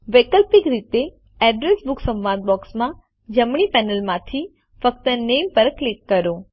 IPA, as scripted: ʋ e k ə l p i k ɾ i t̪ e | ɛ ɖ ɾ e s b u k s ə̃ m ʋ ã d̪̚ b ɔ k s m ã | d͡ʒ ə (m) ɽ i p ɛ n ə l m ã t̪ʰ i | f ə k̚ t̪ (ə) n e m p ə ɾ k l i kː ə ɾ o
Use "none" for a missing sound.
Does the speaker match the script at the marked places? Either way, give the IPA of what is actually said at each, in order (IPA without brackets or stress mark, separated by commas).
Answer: m, ə